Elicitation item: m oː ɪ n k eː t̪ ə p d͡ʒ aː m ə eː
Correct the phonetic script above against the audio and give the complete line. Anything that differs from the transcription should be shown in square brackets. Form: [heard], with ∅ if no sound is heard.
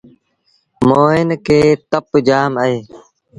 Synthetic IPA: m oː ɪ n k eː t̪ ə p d͡ʒ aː m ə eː